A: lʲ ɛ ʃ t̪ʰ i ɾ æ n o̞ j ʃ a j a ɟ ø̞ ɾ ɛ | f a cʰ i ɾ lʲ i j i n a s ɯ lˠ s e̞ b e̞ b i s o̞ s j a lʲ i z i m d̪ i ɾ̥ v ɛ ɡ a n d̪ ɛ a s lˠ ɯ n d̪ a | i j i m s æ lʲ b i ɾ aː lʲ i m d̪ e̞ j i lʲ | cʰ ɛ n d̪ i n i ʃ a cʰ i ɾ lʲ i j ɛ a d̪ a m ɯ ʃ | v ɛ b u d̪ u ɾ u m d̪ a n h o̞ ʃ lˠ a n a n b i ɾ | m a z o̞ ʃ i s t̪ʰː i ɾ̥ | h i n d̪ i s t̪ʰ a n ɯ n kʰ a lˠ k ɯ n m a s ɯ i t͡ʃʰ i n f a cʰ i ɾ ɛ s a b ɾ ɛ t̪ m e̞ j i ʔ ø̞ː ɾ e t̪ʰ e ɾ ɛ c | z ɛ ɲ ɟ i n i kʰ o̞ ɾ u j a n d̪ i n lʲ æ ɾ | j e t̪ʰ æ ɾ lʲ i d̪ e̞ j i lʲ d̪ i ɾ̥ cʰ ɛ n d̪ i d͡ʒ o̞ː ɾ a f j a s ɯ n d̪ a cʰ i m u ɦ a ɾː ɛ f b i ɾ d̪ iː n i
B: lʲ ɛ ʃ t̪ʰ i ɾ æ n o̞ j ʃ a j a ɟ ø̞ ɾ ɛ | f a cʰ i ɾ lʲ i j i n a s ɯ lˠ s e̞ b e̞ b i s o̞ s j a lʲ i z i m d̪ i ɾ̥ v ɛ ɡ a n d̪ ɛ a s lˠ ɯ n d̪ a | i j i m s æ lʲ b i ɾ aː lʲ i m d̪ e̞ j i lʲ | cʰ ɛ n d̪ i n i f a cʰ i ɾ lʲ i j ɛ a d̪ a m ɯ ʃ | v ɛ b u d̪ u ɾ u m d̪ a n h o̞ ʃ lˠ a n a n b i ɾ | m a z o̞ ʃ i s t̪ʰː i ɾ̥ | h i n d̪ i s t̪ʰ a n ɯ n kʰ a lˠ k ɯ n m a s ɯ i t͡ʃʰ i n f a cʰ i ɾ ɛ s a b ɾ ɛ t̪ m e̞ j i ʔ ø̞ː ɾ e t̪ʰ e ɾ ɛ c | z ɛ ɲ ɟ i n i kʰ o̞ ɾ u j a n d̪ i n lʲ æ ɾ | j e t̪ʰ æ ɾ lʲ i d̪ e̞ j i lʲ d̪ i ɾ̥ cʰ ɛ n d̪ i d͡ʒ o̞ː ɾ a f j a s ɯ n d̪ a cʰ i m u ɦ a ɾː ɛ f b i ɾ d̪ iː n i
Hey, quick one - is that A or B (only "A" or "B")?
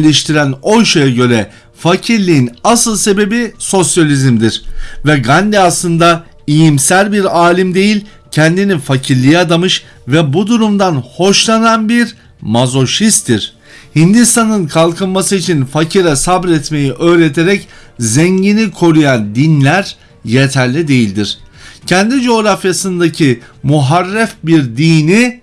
B